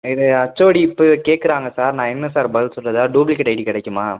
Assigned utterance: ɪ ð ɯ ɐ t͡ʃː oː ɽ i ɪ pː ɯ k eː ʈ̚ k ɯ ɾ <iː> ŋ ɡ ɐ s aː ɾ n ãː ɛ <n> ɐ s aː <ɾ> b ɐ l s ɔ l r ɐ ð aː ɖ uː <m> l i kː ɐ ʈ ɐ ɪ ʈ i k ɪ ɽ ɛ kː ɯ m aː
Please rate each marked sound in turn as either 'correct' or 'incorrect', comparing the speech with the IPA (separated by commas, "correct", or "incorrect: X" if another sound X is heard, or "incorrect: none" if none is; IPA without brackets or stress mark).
incorrect: aː, incorrect: nː, correct, incorrect: b